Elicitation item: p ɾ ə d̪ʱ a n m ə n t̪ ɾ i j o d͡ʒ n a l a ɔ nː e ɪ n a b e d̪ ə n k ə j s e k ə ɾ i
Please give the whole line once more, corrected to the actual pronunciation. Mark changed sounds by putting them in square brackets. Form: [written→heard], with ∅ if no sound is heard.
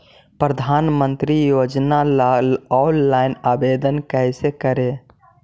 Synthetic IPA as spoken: p ɾ ə d̪ʱ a n m ə n t̪ ɾ i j o d͡ʒ n a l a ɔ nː [e→a] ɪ n a b e d̪ ə n k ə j s e k ə ɾ [i→e]

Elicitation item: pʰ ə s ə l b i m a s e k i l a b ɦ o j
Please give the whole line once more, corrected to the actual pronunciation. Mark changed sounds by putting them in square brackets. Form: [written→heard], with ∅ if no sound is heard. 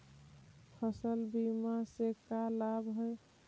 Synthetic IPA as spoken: pʰ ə s ə l b i m a s e k [i→a] l a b ɦ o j

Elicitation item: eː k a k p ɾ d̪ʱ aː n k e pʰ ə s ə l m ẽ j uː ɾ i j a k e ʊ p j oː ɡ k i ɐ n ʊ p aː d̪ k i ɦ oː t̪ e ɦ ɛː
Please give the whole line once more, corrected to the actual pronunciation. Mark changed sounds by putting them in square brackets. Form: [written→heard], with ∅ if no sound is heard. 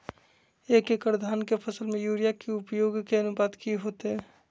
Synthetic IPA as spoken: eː k [a→e] k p ɾ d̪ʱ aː n k e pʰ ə s ə l m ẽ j uː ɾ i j a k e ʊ p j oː ɡ k [i→e] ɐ n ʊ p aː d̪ k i ɦ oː t̪ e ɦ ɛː

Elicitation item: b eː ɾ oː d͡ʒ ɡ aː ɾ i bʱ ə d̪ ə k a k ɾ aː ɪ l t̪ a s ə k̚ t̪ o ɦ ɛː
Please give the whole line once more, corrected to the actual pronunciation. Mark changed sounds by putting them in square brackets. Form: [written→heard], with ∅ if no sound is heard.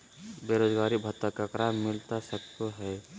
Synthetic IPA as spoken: b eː ɾ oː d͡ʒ ɡ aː ɾ i bʱ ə [d̪→t̪] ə k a k ɾ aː ɪ l t̪ a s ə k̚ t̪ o ɦ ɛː

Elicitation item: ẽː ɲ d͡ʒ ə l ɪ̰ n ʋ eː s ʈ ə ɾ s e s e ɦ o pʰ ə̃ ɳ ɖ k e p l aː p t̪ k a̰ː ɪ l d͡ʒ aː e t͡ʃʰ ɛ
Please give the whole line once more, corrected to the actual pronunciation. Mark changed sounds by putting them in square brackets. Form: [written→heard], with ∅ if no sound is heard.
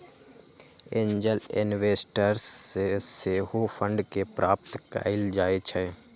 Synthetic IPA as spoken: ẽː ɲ d͡ʒ ə l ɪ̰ n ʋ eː s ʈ ə ɾ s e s e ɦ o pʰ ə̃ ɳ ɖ k e p [l→ɾ] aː p t̪ k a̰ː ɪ l d͡ʒ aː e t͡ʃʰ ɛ

